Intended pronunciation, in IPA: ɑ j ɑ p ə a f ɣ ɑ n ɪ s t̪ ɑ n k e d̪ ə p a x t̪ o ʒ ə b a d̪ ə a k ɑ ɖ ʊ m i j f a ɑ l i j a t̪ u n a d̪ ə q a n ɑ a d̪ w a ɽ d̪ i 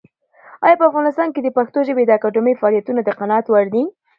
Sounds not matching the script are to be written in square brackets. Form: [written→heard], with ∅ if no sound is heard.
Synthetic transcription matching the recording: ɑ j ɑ p ə a f ɣ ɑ n ɪ s t̪ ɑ n k e d̪ ə p a x t̪ o ʒ ə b [a→e] d̪ ə a k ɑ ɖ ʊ m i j f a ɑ l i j a t̪ u n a d̪ ə q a n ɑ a [d̪→t̪] w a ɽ d̪ i